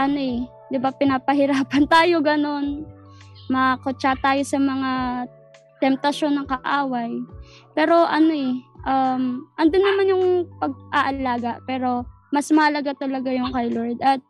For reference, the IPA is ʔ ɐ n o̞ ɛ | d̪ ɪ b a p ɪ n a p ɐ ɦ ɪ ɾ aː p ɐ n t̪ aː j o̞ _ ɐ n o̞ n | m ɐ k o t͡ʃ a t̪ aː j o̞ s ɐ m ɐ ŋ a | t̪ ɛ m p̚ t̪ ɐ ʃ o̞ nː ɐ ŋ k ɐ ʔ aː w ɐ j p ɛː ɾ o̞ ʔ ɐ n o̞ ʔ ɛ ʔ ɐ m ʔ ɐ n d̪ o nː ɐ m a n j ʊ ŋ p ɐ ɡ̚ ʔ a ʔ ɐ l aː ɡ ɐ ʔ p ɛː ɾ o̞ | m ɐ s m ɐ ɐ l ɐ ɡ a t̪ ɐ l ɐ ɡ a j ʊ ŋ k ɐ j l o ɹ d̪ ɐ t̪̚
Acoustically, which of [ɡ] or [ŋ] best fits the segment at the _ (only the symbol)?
ɡ